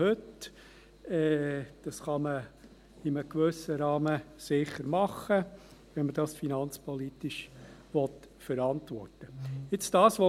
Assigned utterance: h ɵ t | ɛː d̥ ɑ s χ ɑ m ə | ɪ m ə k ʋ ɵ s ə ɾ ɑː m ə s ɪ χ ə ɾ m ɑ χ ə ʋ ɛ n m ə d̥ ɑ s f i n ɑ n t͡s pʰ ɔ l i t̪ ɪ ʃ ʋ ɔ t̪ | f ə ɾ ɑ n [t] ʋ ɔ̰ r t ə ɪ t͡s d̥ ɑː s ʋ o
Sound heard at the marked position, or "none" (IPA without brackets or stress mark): t